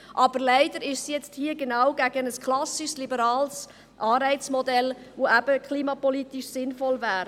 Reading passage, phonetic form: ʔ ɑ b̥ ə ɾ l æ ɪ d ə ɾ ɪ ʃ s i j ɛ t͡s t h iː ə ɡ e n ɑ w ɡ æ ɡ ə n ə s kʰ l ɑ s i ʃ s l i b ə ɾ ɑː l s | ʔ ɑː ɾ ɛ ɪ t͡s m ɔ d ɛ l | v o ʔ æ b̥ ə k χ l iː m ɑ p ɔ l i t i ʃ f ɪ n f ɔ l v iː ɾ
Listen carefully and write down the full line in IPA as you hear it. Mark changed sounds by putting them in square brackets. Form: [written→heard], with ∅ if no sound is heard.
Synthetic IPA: ʔ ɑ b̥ ə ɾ l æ ɪ d ə ɾ ɪ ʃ s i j ɛ t͡s t h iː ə ɡ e n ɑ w ɡ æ ɡ ə n ə s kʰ l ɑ s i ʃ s l i b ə ɾ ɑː l s | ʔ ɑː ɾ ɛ ɪ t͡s m ɔ d ɛ l | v o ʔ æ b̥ ə k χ l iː m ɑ p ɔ l i t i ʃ [f→s] ɪ n f ɔ l v [iː→æː] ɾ

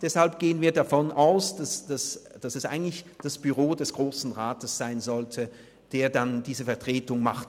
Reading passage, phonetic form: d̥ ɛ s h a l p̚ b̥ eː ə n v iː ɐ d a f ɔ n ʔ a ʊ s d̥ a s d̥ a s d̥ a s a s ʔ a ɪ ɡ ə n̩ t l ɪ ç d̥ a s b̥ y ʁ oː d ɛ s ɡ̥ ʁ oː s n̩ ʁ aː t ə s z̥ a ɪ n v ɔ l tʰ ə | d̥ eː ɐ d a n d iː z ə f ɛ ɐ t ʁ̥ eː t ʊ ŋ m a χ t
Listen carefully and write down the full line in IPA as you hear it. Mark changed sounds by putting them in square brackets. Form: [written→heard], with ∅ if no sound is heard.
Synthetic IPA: d̥ ɛ s h a l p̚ [b̥→ɡ̥] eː ə n v iː ɐ d a f ɔ n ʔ a ʊ s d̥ a s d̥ a s d̥ a s [a→ɛ] s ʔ a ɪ ɡ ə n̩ t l ɪ ç d̥ a s b̥ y ʁ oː d ɛ s ɡ̥ ʁ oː s n̩ ʁ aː t ə s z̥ a ɪ n [v→z] ɔ l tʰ ə | d̥ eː ɐ d a n d iː z ə f ɛ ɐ t ʁ̥ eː t ʊ ŋ m a χ t

